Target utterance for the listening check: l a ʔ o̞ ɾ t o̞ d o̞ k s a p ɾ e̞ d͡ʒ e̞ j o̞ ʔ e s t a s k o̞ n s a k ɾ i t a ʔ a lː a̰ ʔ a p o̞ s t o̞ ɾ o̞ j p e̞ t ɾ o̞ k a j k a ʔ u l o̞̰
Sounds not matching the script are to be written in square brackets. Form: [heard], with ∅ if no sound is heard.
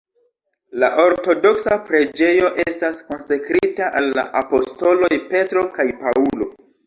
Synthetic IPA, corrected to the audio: l a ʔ o̞ ɾ t o̞ d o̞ k s a p ɾ e̞ d͡ʒ e̞ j o̞ ʔ e s t a s k o̞ n s a k ɾ i t a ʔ a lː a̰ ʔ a p o̞ s t o̞ [l] o̞ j p e̞ t ɾ o̞ k a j [p] a [∅] u l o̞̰